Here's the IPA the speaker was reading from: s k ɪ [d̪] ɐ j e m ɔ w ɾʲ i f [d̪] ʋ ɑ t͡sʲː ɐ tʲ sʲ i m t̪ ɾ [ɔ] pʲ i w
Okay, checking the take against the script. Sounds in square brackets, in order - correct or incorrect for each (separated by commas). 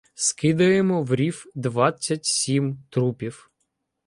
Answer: correct, correct, incorrect